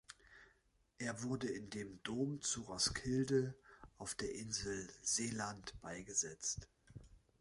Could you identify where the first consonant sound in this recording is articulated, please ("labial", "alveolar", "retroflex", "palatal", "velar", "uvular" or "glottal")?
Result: glottal